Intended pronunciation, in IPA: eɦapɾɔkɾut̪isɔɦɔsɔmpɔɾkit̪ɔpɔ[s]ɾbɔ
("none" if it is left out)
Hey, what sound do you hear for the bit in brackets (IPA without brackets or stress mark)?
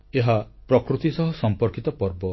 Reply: none